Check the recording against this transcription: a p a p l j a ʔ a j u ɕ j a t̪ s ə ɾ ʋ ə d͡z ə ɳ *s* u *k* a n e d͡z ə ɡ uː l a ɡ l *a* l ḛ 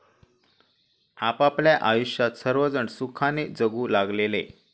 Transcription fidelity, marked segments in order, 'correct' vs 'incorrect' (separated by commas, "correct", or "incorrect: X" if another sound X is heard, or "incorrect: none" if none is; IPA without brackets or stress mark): correct, incorrect: kʰ, incorrect: e